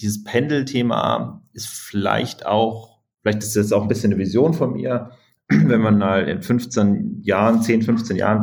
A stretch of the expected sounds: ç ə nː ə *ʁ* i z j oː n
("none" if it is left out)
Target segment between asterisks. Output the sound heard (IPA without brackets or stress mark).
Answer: v